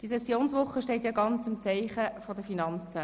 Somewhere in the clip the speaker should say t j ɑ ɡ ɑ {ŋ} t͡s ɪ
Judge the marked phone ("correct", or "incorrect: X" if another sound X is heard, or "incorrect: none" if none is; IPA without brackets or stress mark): incorrect: n